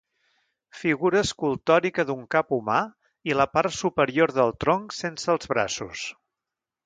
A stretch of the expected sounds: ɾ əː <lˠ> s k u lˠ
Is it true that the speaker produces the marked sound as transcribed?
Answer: no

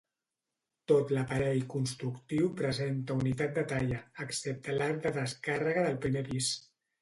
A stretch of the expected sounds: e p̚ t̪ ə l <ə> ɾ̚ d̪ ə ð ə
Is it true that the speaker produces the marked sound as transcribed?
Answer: no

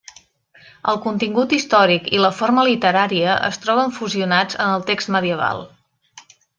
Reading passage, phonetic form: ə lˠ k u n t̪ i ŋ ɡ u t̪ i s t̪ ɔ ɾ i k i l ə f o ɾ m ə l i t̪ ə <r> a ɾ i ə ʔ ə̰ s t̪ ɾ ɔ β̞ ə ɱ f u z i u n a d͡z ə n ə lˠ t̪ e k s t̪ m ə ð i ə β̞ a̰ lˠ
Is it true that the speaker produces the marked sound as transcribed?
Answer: no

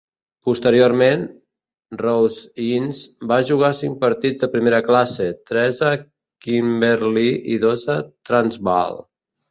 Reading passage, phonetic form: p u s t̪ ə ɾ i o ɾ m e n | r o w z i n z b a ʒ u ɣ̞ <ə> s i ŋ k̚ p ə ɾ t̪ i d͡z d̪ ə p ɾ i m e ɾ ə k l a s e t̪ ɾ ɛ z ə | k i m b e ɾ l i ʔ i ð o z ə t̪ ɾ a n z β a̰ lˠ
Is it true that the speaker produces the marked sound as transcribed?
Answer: no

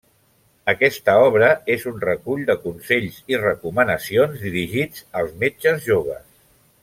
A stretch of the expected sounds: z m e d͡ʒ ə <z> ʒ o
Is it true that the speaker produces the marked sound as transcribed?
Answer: yes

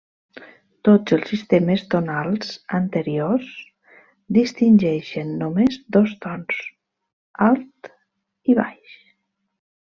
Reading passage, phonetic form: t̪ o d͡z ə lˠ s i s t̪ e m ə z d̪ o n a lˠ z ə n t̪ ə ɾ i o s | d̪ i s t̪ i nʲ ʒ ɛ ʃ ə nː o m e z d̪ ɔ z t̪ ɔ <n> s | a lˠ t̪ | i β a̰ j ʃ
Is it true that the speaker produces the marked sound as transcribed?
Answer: yes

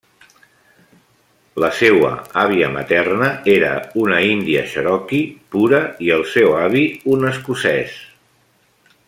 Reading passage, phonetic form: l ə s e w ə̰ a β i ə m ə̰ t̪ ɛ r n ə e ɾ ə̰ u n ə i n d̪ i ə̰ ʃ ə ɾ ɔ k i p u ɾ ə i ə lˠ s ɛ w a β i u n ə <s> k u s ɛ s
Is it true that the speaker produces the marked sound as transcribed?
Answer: yes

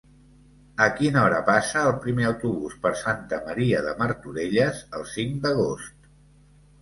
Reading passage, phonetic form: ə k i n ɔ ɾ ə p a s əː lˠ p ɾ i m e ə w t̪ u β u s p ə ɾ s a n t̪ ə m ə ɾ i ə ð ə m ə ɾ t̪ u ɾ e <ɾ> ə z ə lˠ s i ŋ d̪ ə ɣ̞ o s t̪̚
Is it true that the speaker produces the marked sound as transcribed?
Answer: no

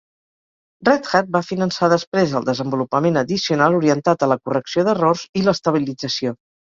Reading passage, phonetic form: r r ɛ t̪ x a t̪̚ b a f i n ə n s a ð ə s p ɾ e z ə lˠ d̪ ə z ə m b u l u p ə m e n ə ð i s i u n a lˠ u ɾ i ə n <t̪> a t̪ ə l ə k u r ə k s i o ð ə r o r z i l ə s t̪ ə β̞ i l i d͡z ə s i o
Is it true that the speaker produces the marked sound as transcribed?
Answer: yes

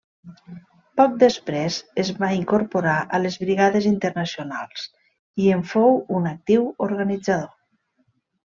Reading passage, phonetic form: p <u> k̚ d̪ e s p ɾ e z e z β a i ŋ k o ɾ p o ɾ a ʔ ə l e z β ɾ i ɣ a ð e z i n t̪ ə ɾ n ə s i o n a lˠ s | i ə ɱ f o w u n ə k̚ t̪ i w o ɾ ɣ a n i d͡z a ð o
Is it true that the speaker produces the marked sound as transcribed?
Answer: no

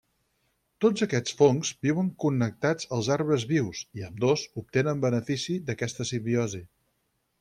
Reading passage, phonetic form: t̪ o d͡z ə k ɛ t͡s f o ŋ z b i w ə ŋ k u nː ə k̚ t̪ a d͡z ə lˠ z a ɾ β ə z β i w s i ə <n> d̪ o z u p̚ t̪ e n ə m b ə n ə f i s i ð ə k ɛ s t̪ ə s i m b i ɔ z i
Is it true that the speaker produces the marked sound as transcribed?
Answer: no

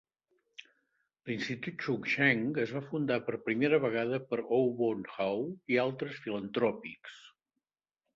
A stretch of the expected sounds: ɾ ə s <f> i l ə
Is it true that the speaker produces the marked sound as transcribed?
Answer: yes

